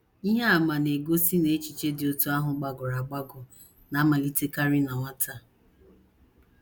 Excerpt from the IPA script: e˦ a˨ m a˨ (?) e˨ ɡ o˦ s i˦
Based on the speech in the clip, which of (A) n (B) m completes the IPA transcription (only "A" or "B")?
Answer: A